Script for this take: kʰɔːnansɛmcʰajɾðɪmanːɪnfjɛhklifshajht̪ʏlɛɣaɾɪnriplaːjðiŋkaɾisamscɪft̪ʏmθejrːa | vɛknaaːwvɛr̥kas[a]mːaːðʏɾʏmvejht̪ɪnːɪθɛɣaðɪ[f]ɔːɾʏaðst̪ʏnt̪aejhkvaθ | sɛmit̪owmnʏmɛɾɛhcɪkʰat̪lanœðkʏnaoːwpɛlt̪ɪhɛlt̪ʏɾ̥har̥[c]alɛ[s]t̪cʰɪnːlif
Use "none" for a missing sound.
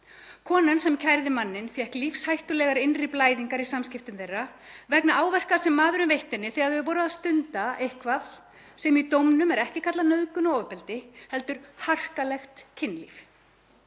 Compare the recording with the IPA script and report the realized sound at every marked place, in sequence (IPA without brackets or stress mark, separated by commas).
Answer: ɛ, v, k, x